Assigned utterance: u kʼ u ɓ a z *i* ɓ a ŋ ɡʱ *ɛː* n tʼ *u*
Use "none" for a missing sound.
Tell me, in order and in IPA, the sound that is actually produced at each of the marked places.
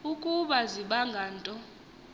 i, aː, ɔ

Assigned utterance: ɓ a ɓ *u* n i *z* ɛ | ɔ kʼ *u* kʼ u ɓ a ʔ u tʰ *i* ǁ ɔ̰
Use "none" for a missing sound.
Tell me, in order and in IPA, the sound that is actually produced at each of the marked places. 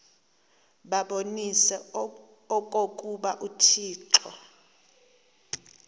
o, s, o, iː

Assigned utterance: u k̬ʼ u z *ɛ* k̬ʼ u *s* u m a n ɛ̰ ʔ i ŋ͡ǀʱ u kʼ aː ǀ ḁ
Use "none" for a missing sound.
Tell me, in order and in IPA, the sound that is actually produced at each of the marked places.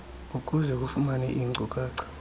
ɛ, f

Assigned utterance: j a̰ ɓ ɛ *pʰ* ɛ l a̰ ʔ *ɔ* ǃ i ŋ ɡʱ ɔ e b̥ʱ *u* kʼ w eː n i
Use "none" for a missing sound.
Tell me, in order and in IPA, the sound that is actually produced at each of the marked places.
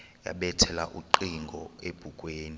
tʰ, u, u

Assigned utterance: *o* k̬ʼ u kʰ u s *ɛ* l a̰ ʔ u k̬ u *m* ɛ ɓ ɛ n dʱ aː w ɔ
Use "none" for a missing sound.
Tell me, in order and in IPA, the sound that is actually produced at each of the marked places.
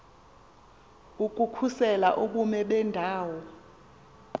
u, ɛ, m

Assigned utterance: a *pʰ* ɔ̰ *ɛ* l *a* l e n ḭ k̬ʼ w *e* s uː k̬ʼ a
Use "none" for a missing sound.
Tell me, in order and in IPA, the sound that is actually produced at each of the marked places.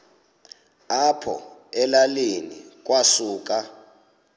pʰ, ɛ, a, a

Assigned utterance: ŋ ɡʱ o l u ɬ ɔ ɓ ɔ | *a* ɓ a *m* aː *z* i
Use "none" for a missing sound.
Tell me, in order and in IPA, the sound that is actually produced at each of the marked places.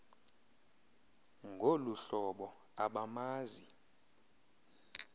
a, m, z

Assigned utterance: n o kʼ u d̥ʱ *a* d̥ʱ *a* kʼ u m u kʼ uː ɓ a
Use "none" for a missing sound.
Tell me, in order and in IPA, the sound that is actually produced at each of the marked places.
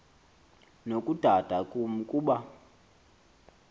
a, a

